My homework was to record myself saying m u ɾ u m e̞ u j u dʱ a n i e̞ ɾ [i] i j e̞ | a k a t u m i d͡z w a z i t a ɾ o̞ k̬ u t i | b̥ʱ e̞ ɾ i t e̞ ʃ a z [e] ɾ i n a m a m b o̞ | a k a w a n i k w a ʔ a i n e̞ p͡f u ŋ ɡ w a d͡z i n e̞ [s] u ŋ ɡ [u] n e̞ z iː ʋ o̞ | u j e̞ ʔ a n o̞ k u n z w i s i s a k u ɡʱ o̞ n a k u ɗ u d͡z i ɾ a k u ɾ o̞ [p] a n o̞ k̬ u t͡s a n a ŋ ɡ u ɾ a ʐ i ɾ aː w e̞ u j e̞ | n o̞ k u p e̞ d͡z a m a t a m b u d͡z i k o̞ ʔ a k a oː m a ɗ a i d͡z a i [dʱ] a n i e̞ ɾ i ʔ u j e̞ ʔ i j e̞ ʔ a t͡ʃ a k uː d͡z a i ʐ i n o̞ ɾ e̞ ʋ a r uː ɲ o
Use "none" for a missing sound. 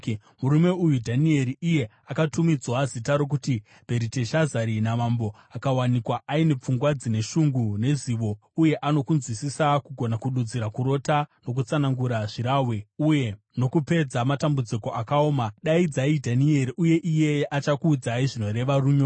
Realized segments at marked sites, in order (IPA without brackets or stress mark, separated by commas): i, a, ʃ, u, t, dʱ